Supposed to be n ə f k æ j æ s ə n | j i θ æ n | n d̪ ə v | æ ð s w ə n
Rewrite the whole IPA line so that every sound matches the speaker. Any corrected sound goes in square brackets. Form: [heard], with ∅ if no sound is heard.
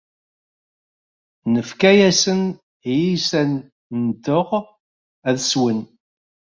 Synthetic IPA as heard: n ə f k æ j æ s ə n | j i [s] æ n | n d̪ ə [ʁ] | æ ð s w ə n